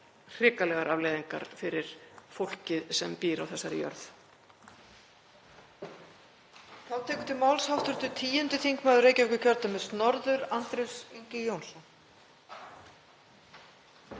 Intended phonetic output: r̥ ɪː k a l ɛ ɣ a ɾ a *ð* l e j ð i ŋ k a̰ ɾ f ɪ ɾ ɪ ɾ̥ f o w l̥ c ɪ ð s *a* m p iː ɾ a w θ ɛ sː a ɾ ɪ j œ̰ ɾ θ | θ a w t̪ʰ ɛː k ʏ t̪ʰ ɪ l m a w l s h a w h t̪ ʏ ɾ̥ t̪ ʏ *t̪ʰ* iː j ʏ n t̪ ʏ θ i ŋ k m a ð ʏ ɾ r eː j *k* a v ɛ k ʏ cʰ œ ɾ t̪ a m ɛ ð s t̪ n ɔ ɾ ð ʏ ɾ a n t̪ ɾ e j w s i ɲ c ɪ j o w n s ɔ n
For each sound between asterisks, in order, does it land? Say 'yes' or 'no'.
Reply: no, no, yes, no

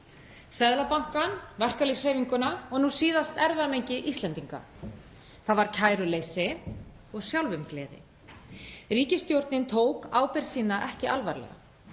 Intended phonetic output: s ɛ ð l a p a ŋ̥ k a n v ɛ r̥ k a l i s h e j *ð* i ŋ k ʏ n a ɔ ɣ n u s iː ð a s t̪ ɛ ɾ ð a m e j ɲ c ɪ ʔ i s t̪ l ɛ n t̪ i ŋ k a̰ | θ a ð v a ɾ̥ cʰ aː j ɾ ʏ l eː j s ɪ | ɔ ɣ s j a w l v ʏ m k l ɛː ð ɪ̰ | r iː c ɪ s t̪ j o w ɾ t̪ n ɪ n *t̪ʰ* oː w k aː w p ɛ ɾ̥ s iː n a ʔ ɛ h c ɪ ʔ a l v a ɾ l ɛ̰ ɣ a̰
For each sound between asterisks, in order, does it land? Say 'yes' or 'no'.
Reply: no, yes

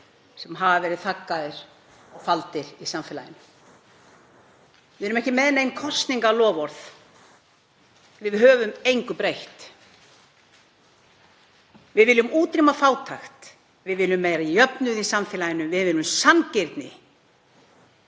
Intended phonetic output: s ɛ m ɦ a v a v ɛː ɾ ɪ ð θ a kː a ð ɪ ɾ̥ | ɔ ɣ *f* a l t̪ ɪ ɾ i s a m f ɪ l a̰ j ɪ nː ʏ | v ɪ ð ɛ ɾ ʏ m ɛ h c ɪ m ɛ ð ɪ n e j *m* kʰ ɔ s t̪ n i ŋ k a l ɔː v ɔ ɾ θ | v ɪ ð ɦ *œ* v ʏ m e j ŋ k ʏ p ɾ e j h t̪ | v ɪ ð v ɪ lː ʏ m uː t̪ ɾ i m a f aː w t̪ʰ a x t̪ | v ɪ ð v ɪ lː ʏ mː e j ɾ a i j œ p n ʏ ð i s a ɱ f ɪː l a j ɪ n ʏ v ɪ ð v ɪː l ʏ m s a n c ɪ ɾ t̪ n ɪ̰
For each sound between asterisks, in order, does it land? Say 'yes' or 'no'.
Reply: yes, no, no

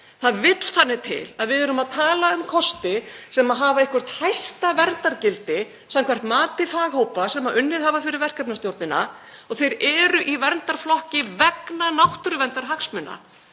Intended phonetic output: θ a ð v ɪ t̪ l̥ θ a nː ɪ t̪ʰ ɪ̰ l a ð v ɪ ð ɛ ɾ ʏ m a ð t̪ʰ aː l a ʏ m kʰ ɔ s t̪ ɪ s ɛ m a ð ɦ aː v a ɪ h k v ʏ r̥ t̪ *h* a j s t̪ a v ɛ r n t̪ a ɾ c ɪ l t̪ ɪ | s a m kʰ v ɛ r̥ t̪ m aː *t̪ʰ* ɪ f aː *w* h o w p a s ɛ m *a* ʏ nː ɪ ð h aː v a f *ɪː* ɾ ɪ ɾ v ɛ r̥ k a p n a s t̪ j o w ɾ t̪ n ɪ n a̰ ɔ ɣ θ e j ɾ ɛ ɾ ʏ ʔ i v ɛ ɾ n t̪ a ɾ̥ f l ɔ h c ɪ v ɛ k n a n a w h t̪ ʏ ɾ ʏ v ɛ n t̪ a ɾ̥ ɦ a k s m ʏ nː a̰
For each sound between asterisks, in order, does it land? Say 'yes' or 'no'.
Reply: yes, no, no, yes, no

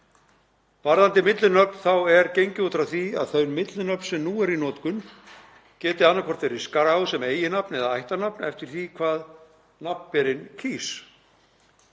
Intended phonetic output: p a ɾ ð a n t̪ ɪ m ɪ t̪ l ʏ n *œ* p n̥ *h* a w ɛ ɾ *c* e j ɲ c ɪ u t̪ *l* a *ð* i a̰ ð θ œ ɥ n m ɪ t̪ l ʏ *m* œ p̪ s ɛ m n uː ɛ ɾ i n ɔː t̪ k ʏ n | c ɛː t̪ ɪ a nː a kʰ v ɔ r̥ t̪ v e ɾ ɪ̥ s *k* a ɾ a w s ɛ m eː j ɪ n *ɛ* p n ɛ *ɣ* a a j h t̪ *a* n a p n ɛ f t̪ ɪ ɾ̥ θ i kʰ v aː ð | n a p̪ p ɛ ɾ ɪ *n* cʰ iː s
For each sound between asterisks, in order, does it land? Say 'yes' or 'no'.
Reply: yes, no, yes, no, no, no, yes, no, no, yes, yes

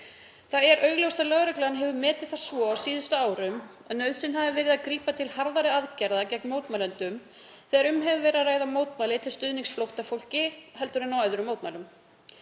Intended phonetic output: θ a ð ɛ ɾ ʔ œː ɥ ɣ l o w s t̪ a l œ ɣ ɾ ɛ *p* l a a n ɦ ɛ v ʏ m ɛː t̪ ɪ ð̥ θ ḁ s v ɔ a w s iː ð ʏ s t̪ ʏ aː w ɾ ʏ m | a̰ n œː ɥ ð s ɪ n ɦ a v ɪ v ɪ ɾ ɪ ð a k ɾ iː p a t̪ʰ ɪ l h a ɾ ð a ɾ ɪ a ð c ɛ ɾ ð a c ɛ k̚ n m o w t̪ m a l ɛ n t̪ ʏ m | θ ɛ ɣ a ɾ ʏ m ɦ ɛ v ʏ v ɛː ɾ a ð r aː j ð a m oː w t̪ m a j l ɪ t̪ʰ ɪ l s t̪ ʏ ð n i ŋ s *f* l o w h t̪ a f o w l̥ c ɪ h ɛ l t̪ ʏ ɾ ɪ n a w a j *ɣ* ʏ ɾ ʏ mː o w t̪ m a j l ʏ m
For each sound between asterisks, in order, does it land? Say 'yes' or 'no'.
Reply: no, yes, no

